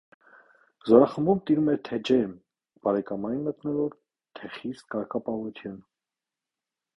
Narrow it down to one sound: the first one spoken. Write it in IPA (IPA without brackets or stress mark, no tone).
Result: z